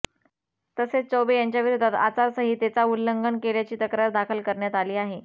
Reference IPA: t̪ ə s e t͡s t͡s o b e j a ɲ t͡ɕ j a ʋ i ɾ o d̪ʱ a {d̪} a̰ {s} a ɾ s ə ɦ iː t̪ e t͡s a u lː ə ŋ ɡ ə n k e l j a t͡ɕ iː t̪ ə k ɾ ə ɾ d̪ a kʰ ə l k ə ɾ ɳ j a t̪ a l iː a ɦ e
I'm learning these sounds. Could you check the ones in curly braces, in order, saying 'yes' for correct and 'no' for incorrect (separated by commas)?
no, no